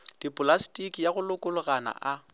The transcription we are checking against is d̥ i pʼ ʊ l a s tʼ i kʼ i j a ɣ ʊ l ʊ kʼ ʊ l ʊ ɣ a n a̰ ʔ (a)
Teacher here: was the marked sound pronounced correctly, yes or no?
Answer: yes